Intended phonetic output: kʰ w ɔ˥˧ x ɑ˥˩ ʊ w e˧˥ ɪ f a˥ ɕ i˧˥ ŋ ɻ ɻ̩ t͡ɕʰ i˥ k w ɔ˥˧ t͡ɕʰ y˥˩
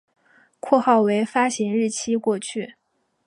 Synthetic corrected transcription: kʰ w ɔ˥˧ x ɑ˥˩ ʊ w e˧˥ ɪ f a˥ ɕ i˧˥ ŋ ɻ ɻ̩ t͡ɕʰ i˥ k w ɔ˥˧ t͡ɕʰ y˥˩